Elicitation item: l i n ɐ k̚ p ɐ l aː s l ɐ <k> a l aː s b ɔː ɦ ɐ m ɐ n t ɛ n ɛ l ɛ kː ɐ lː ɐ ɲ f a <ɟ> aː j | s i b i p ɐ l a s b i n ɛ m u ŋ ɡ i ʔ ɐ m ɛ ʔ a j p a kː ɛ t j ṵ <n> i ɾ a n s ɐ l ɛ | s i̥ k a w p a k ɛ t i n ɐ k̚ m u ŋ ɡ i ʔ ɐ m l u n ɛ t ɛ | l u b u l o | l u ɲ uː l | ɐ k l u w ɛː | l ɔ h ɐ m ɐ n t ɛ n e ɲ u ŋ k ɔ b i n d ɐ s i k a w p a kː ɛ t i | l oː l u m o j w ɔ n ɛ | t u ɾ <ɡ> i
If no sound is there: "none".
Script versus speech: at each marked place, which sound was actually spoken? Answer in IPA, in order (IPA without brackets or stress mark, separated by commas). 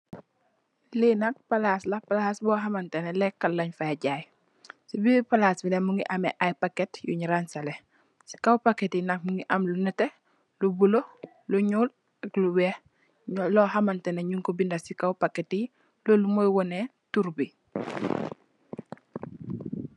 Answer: p, ɟ, ɲ, b